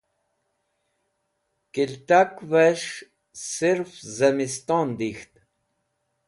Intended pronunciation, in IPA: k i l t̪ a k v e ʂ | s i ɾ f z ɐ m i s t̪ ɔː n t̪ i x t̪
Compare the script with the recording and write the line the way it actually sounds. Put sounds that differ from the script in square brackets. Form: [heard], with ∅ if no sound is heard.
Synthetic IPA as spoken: k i l t̪ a k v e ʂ | s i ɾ f z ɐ m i s t̪ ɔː n [d̪] i x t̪

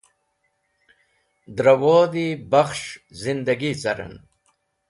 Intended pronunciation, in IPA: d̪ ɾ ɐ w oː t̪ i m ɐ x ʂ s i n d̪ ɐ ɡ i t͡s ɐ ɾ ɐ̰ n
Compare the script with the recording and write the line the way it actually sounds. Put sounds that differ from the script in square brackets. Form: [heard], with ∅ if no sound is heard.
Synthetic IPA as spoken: d̪ ɾ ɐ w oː [d̪] i [b] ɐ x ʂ [z] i n d̪ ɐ ɡ i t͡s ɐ ɾ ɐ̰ n

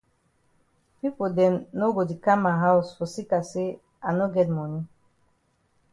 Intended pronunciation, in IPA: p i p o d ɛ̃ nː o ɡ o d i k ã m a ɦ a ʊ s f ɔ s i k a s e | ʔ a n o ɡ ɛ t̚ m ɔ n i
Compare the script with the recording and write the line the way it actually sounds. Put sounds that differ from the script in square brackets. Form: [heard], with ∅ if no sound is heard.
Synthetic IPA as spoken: p i p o d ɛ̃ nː o ɡ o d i k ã m a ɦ a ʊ s f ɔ s i k a s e | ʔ a n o ɡ ɛ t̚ m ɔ n i

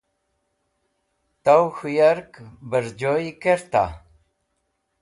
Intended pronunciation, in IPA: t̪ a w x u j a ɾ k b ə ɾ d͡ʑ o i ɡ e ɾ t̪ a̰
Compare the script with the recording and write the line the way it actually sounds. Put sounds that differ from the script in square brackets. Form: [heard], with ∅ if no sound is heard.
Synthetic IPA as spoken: t̪ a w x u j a ɾ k b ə ɾ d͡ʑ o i [k] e ɾ t̪ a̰

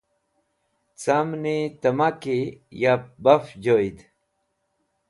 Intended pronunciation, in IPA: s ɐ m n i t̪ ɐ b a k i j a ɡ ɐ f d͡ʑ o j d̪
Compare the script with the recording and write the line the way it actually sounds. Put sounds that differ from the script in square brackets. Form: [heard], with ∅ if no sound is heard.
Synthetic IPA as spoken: [t͡s] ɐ m n i t̪ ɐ [m] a k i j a [b] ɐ f d͡ʑ o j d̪

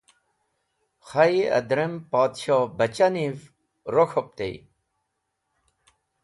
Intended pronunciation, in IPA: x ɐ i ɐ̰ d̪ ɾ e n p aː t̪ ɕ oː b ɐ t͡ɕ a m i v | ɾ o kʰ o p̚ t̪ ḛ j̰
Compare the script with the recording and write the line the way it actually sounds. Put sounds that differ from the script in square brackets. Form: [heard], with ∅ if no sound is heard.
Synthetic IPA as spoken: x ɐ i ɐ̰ d̪ ɾ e [m] p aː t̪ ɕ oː b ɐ t͡ɕ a [n] i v | ɾ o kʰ o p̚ t̪ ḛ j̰

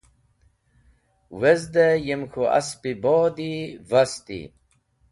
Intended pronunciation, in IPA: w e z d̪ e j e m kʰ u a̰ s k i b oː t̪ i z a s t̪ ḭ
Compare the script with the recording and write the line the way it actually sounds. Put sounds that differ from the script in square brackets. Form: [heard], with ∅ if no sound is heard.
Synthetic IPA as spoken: w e z d̪ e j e m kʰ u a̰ s [p] i b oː [d̪] i [v] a s t̪ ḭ

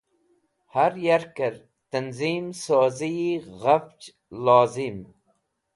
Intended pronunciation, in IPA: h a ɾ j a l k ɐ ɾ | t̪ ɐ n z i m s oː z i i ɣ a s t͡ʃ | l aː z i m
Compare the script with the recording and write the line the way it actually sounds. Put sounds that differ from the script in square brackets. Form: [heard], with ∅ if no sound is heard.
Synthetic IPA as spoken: h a ɾ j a [ɾ] k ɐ ɾ | t̪ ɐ n z i m s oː z i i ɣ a [f] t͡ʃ | l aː z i m

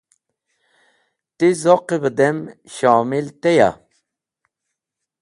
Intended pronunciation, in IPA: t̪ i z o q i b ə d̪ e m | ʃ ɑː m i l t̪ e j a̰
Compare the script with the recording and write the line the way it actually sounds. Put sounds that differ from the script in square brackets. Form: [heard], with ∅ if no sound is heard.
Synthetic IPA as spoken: t̪ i z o q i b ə d̪ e m | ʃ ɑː m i l t̪ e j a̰

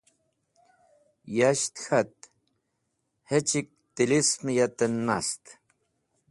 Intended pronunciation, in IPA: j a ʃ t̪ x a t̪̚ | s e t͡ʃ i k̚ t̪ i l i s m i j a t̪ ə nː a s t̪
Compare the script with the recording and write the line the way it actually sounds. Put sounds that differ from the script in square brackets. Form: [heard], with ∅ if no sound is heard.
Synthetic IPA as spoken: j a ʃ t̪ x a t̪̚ | [h] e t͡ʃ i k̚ t̪ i l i s m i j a t̪ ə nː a s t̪

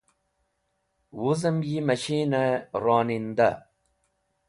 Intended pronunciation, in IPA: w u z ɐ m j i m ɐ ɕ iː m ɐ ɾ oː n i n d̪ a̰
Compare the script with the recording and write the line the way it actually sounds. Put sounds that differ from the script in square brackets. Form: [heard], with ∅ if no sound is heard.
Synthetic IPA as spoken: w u z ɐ m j i m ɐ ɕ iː [n] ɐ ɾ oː n i n d̪ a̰

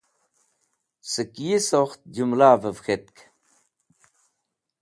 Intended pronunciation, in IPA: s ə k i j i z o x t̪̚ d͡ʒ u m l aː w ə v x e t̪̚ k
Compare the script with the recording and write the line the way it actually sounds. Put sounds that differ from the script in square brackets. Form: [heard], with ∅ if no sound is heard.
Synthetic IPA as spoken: s ə k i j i [s] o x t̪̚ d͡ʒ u m l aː [v] ə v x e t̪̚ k

